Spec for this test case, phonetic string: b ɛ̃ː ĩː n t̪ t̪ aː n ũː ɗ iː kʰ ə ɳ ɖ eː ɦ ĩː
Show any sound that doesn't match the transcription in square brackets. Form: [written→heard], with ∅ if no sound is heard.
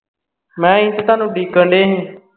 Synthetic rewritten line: [b→m] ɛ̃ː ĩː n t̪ t̪ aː n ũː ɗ iː [kʰ→k] ə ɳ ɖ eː ɦ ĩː